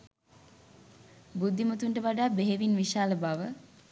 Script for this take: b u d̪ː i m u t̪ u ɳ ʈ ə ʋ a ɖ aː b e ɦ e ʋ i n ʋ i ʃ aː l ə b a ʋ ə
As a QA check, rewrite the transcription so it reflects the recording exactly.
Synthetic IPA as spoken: b u d̪ː i m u t̪ u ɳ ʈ ə ʋ a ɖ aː b e ɦ e ʋ i n ʋ i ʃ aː l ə b a ʋ ə